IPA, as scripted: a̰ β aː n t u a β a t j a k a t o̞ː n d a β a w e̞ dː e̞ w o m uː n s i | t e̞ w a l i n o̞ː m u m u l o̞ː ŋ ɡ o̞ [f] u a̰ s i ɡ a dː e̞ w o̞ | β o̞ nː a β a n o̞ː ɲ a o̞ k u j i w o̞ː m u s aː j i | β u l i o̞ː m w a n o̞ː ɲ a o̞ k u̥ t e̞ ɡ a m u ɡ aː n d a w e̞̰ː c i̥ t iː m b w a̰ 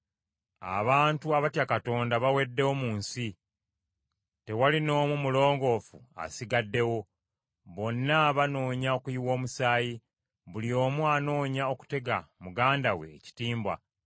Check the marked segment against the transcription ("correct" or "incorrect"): correct